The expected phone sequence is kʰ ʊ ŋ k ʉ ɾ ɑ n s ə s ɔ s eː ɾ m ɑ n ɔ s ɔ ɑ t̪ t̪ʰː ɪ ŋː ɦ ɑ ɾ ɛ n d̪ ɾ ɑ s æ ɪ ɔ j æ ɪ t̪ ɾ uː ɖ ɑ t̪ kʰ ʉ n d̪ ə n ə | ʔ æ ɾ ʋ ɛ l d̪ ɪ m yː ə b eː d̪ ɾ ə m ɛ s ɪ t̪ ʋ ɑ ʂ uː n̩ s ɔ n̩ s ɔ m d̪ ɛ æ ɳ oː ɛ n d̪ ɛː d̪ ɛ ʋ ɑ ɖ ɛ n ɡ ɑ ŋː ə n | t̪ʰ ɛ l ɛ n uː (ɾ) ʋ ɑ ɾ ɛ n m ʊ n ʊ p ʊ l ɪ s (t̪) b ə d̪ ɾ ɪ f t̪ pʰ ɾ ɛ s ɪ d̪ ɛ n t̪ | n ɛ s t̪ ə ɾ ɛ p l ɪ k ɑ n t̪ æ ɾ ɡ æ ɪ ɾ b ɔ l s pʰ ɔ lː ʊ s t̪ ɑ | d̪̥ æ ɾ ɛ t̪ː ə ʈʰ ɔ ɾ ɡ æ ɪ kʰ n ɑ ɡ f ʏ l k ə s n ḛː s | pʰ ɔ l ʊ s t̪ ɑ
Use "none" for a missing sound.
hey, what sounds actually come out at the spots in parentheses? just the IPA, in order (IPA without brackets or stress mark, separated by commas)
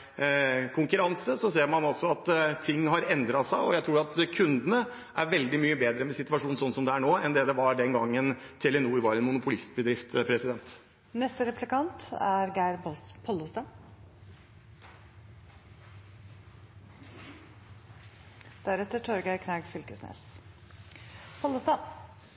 ɾ, t̪